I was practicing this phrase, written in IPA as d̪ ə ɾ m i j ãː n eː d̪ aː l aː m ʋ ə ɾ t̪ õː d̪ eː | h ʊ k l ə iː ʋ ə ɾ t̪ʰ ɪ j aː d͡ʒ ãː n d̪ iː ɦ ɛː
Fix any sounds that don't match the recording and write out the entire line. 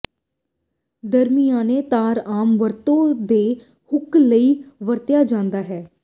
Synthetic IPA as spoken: d̪ ə ɾ m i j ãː n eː t̪ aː ɾ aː m ʋ ə ɾ t̪ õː d̪ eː | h ʊ k l ə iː ʋ ə ɾ t̪ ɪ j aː d͡ʒ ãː n d̪ aː ɦ ɛː

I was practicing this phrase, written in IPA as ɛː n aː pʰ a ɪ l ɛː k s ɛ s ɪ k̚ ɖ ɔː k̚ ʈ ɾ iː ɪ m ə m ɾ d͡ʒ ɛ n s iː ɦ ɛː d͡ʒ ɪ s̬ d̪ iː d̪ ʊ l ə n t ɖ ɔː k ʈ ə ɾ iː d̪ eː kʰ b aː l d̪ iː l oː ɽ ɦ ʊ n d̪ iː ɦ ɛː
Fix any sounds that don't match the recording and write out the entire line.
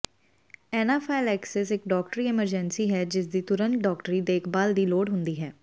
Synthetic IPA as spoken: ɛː n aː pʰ a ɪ l ɛː k s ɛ s ɪ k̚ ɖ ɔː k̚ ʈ ɾ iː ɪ m ə ɾ d͡ʒ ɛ n s iː ɦ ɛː d͡ʒ ɪ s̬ d̪ iː t̪ ʊ ɾ ə n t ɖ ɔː k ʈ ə ɾ iː d̪ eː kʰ b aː l d̪ iː l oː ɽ ɦ ʊ n d̪ iː ɦ ɛː

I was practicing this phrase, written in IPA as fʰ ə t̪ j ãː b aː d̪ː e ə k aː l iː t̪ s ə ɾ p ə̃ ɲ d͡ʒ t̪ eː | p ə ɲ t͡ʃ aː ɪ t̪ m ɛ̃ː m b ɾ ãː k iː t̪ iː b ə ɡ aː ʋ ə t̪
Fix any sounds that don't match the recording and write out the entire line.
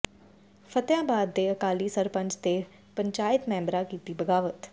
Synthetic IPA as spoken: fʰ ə t̪ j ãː b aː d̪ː e ə k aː l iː s ə ɾ p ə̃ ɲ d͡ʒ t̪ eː | p ə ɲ t͡ʃ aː ɪ t̪ m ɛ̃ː m b ɾ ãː k iː t̪ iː b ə ɡ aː ʋ ə t̪

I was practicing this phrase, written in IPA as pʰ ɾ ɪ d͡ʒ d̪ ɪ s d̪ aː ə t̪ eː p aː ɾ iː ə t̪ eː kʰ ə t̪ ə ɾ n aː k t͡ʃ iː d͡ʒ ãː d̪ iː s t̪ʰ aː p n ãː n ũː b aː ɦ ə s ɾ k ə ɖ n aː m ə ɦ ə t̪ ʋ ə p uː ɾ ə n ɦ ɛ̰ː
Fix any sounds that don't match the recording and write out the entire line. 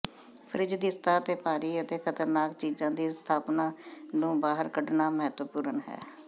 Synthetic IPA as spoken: pʰ ɾ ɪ d͡ʒ d̪ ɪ s t̪ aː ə t̪ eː p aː ɾ iː ə t̪ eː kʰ ə t̪ ə ɾ n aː k t͡ʃ iː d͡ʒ ãː d̪ iː s t̪ʰ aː p n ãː n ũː b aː ɦ ə ɾ k ə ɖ n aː m ə ɦ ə t̪ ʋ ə p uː ɾ ə n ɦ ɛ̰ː

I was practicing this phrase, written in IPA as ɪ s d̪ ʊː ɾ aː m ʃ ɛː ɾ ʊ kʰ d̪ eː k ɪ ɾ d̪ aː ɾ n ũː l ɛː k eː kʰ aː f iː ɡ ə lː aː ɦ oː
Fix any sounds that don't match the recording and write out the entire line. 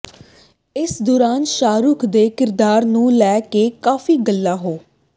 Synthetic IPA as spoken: ɪ s d̪ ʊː ɾ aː n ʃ aː ɾ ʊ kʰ d̪ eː k ɪ ɾ d̪ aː ɾ n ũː l ɛː k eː k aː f iː ɡ ə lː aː ɦ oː

